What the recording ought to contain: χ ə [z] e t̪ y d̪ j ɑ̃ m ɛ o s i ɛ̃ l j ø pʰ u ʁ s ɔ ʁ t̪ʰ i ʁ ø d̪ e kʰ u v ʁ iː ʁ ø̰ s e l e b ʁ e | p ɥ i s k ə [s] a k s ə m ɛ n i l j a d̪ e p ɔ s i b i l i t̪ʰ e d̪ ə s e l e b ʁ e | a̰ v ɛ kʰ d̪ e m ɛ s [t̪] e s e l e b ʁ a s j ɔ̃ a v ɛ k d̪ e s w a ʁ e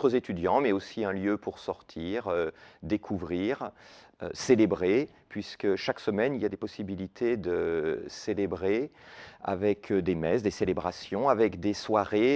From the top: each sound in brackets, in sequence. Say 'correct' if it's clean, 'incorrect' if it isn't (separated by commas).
correct, incorrect, incorrect